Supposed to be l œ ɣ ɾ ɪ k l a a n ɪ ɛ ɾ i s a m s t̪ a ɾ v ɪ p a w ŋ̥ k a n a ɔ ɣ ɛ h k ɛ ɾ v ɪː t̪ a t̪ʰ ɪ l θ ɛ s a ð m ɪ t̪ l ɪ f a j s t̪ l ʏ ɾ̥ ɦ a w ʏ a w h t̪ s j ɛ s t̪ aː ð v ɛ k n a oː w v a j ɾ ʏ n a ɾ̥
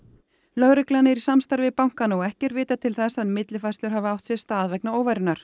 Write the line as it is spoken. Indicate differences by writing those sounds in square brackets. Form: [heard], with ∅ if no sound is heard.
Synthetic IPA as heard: l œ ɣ ɾ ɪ k l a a n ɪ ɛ ɾ i s a m s t̪ a ɾ v ɪ p a w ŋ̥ k a n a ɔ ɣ ɛ h [c] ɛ ɾ v ɪː t̪ a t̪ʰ ɪ l θ ɛ s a ð m ɪ t̪ l ɪ f a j s t̪ l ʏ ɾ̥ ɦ a [v] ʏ a w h t̪ s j ɛ s t̪ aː ð v ɛ k n a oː w v a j ɾ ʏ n a ɾ̥